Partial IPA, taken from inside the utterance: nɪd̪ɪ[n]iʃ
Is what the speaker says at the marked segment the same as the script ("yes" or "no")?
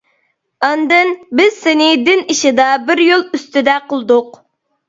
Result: yes